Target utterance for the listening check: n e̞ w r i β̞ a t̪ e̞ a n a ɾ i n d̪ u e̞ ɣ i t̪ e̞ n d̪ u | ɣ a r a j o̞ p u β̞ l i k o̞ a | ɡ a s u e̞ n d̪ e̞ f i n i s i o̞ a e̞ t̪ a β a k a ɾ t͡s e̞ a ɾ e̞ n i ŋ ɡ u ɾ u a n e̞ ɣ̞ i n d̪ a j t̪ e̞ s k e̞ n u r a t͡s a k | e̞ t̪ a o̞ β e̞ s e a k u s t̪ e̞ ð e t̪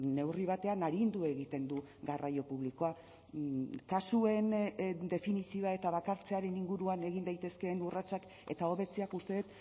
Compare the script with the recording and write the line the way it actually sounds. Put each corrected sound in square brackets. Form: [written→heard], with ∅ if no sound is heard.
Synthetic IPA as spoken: n e̞ w r i β̞ a t̪ e̞ a n a ɾ i n d̪ u e̞ ɣ i t̪ e̞ n d̪ u | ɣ a r a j o̞ p u β̞ l i k o̞ a | [ɡ→k] a s u e̞ n d̪ e̞ f i n i s i o̞ a e̞ t̪ a β a k a ɾ t͡s e̞ a ɾ e̞ n i ŋ ɡ u ɾ u a n e̞ ɣ̞ i n d̪ a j t̪ e̞ s k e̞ n u r a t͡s a k | e̞ t̪ a o̞ β e̞ [s→t͡s] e a k u s t̪ e̞ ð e t̪